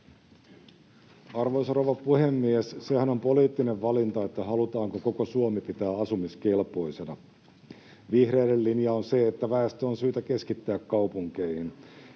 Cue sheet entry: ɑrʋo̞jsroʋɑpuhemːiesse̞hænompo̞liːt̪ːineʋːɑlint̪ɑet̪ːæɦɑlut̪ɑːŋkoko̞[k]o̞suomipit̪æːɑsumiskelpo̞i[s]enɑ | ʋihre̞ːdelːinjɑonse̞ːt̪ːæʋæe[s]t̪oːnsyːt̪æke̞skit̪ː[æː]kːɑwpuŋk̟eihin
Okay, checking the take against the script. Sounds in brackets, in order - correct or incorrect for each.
correct, correct, correct, correct

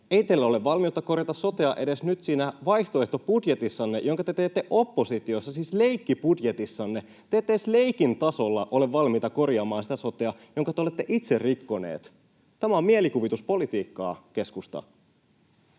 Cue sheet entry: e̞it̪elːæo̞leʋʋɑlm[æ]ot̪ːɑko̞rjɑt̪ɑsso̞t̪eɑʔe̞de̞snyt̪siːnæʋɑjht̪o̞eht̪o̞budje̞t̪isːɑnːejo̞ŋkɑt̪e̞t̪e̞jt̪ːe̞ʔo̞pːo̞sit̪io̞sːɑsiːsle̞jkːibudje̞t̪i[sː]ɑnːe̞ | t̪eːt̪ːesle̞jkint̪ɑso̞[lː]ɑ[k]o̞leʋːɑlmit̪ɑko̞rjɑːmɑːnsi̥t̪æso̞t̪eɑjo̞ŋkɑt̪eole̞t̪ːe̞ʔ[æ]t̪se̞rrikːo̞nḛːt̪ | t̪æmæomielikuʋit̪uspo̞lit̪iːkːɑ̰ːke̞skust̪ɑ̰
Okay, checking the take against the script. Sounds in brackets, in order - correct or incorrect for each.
incorrect, correct, correct, incorrect, incorrect

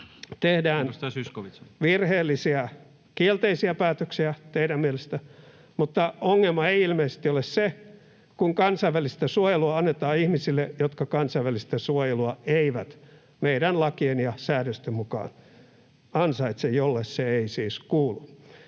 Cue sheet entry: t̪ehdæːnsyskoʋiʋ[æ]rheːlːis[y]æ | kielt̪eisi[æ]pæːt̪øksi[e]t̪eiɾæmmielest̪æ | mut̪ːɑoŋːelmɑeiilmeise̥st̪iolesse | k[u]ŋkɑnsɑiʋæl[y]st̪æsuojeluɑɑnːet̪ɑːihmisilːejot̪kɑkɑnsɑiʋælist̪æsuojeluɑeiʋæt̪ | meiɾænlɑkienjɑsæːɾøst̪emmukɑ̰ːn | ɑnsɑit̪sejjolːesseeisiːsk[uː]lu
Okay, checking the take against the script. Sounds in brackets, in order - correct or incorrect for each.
incorrect, incorrect, correct, incorrect, correct, incorrect, correct

